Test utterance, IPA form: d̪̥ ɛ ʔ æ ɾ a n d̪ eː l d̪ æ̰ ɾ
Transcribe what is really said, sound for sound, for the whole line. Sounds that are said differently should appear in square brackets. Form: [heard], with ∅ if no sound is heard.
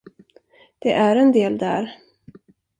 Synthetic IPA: d̪̥ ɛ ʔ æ ɾ [ɛ] n d̪ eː l d̪ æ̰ ɾ